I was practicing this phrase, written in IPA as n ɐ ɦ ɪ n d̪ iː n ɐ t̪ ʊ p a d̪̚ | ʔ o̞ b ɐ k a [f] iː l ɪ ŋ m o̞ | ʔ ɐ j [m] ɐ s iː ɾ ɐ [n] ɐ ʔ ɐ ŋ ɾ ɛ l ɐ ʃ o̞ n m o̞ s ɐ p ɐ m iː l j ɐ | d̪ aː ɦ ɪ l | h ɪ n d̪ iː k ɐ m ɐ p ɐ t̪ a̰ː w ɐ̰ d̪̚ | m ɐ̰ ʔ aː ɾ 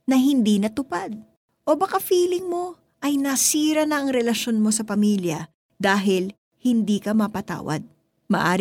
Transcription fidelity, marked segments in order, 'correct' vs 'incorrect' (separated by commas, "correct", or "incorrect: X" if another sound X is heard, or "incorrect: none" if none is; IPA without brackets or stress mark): correct, incorrect: n, correct